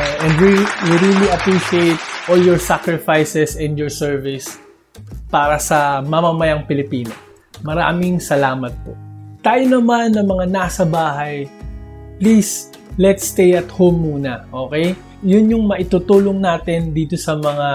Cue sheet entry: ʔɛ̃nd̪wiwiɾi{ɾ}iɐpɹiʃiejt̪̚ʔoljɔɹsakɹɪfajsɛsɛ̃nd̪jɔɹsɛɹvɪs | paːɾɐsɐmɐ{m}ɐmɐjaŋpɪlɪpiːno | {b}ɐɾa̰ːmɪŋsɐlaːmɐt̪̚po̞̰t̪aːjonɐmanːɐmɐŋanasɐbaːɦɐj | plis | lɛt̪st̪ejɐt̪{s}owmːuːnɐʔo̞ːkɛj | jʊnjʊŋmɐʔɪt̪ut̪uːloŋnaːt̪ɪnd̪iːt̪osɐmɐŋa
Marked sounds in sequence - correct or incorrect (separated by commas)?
incorrect, correct, incorrect, incorrect